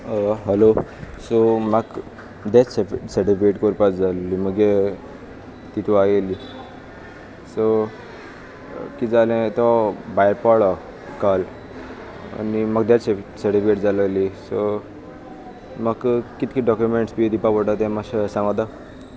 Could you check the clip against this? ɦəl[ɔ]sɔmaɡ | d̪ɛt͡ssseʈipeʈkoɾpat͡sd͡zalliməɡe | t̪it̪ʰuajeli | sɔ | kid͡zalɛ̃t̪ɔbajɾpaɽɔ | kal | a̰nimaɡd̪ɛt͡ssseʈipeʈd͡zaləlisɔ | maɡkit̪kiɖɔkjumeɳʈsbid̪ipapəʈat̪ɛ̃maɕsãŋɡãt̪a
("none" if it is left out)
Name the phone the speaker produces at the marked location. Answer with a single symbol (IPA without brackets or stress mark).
o